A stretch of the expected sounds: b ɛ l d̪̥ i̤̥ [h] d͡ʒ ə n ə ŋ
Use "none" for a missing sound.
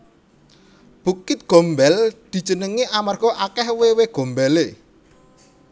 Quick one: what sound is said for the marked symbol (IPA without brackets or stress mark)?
none